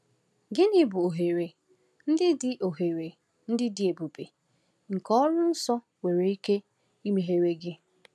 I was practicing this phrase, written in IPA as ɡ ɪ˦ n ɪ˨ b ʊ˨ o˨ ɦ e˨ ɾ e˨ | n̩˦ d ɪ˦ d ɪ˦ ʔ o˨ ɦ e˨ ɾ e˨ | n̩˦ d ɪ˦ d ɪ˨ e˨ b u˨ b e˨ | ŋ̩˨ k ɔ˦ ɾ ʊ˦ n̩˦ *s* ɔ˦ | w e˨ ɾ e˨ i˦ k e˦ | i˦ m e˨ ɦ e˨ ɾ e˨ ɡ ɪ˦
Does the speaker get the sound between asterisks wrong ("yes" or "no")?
no